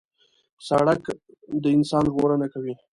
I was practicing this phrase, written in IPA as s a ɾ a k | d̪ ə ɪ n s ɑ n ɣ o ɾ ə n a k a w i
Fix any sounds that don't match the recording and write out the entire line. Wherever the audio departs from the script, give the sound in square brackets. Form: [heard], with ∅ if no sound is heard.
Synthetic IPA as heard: s a [ɽ] a k | d̪ ə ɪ n s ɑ n ɣ o ɾ ə n a k a w i